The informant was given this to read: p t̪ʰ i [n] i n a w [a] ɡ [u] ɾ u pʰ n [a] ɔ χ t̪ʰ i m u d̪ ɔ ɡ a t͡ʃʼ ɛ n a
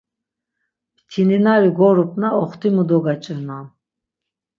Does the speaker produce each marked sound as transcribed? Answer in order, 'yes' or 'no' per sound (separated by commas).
yes, no, no, yes